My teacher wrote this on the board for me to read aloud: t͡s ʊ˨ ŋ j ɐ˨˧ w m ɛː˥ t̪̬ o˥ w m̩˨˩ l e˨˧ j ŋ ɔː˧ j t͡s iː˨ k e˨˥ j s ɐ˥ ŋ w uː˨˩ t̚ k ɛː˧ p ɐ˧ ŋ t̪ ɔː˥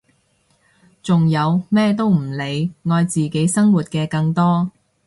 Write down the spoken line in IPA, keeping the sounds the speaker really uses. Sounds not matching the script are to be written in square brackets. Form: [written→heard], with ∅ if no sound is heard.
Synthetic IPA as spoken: t͡s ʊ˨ ŋ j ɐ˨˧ w m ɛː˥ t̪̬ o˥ w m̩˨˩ l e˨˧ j ŋ ɔː˧ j t͡s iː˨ k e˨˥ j s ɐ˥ ŋ w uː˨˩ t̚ k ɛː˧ [p→k] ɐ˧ ŋ t̪ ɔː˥